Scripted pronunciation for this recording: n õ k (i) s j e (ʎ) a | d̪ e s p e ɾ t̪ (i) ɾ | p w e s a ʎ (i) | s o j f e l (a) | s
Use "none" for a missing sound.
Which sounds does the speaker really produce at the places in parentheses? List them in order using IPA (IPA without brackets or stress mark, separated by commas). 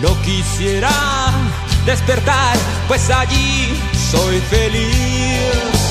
i, ɾ, a, i, i